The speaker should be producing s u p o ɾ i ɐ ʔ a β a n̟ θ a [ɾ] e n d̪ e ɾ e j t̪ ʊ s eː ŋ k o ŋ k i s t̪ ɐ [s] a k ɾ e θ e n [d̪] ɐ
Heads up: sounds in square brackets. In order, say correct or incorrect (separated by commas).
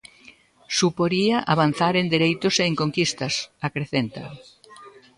correct, correct, incorrect